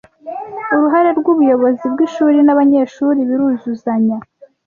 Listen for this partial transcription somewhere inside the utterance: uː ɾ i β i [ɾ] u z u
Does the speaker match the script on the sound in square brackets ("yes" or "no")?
yes